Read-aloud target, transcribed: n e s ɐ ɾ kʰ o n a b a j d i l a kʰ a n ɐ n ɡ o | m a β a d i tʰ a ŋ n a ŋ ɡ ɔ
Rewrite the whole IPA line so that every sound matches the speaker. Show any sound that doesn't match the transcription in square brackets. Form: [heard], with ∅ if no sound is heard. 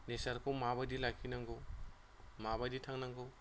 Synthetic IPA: n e s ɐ ɾ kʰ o [m] a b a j d i l a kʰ [i] n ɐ [ŋ] ɡ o | m a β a d i tʰ a ŋ n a ŋ ɡ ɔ